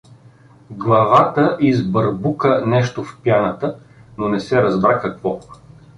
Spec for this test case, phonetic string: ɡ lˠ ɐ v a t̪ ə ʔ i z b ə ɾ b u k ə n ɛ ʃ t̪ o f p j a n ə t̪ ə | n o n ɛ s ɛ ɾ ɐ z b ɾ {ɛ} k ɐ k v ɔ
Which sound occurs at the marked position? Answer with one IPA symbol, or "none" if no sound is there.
a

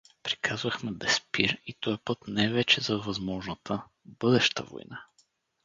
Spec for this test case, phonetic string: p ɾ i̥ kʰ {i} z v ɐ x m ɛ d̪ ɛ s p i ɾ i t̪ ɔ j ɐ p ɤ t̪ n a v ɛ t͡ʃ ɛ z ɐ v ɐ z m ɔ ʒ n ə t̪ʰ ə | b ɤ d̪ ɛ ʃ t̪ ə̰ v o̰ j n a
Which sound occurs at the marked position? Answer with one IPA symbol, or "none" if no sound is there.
a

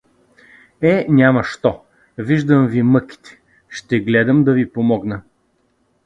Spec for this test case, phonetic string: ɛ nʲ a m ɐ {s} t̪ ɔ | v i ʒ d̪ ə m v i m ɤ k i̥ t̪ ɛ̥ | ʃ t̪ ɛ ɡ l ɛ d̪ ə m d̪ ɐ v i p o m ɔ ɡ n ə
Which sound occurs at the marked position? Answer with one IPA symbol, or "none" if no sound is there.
ʃ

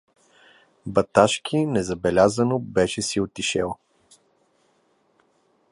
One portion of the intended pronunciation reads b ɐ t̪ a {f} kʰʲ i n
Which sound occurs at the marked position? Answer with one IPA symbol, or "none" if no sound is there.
ʃ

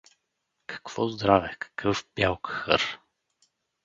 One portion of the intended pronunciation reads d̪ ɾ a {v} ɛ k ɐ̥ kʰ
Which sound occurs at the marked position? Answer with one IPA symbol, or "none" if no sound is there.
v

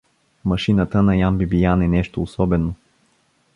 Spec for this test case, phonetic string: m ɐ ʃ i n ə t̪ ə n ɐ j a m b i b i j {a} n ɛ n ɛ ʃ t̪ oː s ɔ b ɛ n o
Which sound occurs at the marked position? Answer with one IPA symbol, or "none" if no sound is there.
a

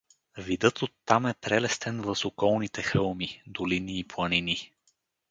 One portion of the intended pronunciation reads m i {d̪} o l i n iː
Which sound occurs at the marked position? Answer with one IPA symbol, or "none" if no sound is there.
d̪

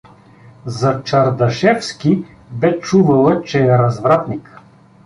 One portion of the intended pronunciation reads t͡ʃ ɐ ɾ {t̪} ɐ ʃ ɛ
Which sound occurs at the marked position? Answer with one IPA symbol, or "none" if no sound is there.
d̪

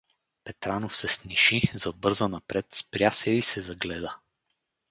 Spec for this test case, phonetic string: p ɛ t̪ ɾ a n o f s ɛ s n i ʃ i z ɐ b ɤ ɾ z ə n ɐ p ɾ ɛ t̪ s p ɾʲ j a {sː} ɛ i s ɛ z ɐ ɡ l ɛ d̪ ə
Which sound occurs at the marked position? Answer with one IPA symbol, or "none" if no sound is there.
s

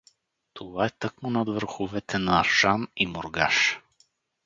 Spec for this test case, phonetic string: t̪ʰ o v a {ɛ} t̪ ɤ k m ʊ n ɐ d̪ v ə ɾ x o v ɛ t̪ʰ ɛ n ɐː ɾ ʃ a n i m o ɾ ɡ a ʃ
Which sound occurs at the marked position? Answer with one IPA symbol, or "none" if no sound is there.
ɛ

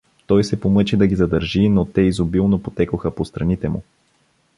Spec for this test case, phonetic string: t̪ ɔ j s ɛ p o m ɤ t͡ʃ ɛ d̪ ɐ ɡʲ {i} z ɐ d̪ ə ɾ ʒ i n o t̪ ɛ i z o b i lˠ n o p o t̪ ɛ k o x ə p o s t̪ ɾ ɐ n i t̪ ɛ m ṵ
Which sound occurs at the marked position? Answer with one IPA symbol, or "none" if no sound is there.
i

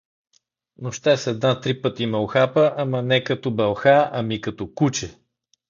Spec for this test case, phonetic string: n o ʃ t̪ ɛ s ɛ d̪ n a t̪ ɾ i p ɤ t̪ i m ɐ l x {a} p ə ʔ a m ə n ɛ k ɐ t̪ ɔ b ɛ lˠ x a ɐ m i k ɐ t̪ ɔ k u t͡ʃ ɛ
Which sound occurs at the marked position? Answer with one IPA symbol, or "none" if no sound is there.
a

